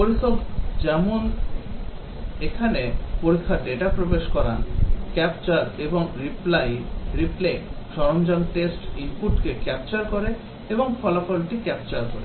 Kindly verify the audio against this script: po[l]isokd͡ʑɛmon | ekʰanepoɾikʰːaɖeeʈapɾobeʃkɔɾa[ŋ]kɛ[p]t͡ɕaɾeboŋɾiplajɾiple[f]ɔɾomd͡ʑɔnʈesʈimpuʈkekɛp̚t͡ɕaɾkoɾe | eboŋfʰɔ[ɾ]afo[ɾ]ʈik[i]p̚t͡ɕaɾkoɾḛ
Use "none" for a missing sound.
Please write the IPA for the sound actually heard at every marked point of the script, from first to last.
ɾ, n, p, ʃ, l, l, ɛ

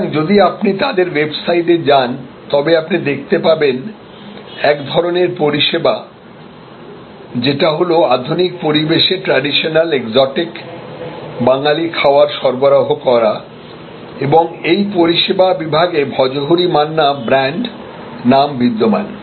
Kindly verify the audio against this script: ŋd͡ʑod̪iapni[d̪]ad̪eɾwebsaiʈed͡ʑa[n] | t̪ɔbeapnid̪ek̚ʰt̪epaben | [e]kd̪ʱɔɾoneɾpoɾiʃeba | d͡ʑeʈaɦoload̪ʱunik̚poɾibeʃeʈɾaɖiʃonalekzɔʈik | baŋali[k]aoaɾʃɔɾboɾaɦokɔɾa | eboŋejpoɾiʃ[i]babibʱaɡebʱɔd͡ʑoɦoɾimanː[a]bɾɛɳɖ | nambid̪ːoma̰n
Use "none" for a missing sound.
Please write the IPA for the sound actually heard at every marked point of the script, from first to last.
t̪, n, ɛ, kʰ, e, a

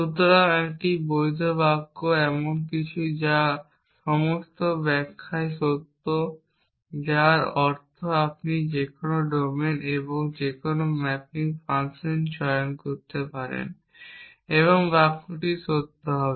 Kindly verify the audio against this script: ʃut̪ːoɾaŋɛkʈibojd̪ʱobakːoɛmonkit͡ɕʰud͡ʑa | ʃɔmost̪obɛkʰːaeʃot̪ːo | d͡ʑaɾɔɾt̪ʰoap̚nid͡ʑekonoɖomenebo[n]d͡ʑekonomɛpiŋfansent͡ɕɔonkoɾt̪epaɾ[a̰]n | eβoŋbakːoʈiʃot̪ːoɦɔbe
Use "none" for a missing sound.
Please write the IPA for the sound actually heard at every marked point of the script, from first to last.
ŋ, ḛ

